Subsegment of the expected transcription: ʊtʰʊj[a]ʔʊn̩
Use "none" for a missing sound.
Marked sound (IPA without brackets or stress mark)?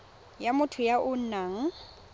a